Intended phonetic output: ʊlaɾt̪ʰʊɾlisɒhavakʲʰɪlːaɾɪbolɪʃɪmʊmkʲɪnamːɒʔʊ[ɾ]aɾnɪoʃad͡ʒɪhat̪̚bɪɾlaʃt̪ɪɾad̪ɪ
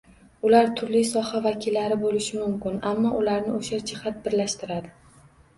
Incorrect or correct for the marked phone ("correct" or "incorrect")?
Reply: incorrect